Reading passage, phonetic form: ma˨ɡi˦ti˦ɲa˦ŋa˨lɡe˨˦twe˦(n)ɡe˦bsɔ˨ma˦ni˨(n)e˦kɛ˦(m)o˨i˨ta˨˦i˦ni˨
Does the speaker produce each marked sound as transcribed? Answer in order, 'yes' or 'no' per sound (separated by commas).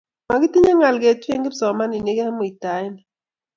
no, yes, yes